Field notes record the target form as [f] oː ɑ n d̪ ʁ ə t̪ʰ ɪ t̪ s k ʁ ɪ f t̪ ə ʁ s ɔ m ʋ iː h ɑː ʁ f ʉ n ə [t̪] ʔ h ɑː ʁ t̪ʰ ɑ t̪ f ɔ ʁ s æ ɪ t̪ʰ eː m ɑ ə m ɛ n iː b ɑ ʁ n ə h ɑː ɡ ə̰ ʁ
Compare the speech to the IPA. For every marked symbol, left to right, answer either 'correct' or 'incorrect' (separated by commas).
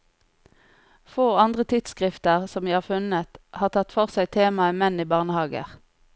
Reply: correct, correct